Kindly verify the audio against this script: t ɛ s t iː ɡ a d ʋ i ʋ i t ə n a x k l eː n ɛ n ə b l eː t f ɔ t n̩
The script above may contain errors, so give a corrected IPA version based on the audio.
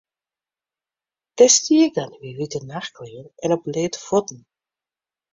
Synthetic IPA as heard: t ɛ s t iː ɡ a n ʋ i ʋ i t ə n a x k l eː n ɛ n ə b l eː t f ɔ t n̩